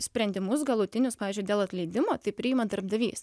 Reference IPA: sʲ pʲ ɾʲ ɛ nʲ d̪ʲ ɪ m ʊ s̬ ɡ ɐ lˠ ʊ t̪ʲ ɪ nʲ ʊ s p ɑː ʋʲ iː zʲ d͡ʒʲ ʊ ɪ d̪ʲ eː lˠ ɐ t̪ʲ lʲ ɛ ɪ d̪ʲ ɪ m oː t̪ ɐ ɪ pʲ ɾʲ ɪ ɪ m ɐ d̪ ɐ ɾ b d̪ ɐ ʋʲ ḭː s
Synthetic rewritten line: sʲ pʲ ɾʲ ɛ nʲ d̪ʲ ɪ m ʊ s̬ ɡ ɐ lˠ ʊ t̪ʲ ɪ nʲ ʊ s p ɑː ʋʲ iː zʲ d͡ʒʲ ʊ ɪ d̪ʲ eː lˠ ɐ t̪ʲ lʲ ɛ ɪ d̪ʲ ɪ m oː t̪ ɐ ɪ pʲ ɾʲ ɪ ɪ m ɐ d̪ ɐ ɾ b d̪ ɐ ʋʲ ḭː s